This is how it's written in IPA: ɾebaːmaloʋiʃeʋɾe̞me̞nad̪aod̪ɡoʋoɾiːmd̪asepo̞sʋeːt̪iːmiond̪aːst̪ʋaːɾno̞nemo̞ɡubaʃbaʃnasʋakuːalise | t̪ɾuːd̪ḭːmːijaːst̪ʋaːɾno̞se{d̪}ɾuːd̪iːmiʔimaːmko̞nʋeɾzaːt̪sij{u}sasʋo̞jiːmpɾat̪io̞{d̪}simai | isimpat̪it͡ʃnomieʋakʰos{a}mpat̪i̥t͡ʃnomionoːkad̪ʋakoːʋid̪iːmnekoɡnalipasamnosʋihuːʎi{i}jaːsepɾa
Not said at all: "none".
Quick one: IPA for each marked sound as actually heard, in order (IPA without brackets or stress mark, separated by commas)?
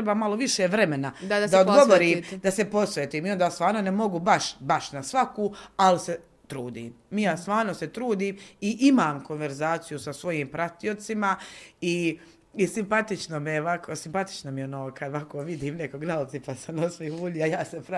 t̪, u, t̪, i, a